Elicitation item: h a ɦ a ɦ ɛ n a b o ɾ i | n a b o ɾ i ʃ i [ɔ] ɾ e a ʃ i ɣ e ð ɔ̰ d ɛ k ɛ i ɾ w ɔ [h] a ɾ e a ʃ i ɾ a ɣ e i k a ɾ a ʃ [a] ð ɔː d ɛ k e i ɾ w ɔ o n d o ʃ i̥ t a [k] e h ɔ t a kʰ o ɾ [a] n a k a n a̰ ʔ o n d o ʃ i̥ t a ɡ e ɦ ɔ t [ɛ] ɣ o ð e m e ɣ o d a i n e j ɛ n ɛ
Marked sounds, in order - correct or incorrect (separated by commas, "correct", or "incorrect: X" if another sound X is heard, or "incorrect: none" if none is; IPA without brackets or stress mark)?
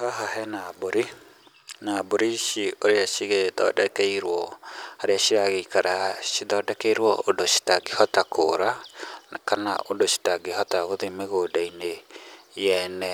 incorrect: o, correct, incorrect: i, incorrect: ɡ, correct, incorrect: a